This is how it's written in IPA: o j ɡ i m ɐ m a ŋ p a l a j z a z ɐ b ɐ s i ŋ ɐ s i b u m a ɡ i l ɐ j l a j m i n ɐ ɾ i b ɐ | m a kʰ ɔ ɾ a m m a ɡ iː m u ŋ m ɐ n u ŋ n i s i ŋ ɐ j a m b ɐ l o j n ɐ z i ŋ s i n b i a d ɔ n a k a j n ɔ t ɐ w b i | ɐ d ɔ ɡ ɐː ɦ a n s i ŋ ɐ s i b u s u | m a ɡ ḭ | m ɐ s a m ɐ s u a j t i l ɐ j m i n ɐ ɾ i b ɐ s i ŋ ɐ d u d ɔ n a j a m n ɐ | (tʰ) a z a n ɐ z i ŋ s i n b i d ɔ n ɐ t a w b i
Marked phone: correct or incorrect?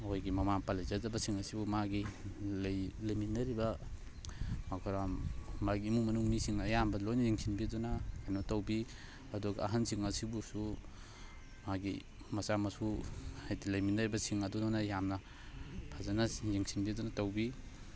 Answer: incorrect: pʰ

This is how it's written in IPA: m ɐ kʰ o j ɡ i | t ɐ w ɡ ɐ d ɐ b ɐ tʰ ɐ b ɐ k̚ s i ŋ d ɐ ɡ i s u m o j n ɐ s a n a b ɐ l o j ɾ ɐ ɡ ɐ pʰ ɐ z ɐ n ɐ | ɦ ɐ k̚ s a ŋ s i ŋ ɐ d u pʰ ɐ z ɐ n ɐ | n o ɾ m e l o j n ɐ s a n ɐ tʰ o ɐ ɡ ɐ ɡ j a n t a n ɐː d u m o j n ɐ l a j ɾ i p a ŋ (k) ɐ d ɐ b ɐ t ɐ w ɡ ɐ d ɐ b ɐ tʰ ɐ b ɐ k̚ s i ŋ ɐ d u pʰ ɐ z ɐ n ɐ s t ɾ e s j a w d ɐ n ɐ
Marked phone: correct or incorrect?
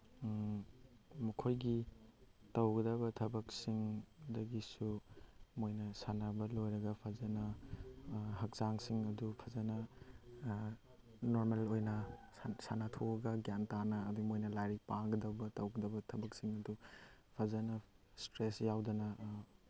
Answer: incorrect: ɡ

